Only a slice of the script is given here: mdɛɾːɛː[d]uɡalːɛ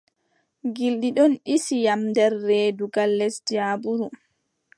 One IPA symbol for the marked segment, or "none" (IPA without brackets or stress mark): d